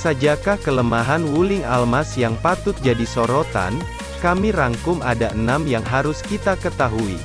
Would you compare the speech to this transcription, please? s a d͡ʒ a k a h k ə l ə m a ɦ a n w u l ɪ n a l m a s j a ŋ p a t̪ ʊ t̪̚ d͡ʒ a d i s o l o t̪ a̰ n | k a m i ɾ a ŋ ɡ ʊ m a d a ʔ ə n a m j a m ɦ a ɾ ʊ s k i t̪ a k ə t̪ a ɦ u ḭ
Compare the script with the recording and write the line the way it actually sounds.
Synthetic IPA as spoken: s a d͡ʒ a k a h k ə l ə m a ɦ a n w u l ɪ ŋ a l m a s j a ŋ p a t̪ ʊ t̪̚ d͡ʒ a d i s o ɾ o t̪ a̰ n | k a m i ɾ a ŋ k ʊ m a d a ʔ ə n a m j a ŋ ɦ a ɾ ʊ s k i t̪ a k ə t̪ a ɦ u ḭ